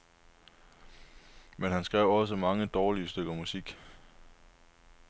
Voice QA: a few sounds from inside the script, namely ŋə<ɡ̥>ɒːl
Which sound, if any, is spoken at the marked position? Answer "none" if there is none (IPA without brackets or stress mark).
d̥